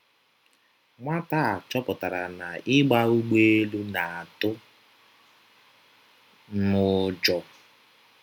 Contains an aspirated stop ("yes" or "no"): no